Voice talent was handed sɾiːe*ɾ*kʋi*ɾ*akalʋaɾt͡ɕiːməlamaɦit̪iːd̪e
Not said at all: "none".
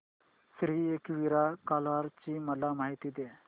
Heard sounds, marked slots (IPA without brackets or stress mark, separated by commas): none, ɾ